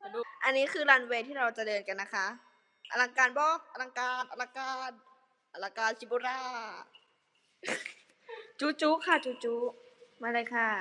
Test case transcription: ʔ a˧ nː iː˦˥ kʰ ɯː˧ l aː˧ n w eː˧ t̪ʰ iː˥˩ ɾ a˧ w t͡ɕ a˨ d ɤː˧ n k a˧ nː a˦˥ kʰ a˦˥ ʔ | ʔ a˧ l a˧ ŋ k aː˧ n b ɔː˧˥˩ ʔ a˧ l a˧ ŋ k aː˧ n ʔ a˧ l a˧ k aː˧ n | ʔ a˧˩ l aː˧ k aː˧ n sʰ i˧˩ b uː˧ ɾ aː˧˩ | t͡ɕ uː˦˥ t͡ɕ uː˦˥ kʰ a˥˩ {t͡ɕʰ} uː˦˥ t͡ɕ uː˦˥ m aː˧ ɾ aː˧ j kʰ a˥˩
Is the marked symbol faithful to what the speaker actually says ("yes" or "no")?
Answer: no